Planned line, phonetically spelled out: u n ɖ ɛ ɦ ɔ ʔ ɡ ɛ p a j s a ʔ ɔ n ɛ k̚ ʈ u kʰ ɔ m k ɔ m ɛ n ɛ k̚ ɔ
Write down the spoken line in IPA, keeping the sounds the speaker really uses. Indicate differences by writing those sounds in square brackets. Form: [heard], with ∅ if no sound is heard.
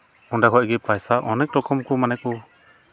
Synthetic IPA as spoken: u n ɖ [a] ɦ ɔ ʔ ɡ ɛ p a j s a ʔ ɔ n ɛ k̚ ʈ [ɔ] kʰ ɔ m k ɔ m [a] n ɛ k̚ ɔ